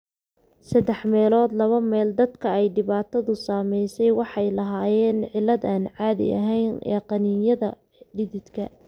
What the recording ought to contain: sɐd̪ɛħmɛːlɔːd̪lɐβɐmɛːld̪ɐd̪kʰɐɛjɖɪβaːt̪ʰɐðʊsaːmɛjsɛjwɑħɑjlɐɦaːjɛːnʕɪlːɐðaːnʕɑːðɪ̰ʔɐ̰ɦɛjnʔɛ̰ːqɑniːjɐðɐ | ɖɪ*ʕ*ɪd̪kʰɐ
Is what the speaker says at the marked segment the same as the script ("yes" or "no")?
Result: no